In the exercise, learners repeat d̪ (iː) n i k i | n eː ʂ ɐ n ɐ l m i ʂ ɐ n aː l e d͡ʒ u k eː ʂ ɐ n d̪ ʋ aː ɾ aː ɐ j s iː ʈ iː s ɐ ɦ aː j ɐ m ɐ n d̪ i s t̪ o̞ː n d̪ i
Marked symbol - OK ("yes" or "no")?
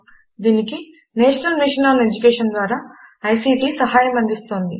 yes